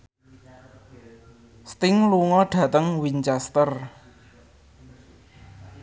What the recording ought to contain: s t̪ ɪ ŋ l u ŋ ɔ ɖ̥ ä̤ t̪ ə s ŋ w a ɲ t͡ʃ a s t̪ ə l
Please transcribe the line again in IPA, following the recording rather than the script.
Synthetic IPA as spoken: s t̪ ɪ ŋ l u ŋ ɔ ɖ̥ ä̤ t̪ ə ŋ w i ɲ t͡ʃ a s t̪ ə r